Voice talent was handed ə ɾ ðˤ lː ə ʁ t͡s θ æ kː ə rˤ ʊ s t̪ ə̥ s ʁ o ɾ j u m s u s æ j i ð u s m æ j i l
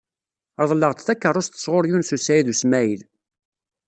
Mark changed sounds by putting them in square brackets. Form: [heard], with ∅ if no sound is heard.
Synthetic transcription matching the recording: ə ɾ ðˤ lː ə ʁ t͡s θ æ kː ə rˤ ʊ s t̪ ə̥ s ʁ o ɾ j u [n] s u s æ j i ð u s m æ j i l